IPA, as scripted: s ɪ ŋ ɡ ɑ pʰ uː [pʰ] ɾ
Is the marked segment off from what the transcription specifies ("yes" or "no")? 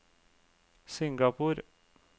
yes